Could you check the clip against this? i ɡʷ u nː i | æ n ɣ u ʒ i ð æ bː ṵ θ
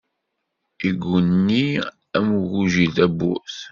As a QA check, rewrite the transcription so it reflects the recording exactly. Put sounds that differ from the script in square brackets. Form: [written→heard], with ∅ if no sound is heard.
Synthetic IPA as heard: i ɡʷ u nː i | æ [n→m] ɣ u ʒ i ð æ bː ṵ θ